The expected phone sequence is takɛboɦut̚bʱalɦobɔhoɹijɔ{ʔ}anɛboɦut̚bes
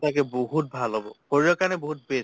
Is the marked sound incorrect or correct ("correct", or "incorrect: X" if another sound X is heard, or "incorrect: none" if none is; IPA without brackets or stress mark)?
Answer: incorrect: k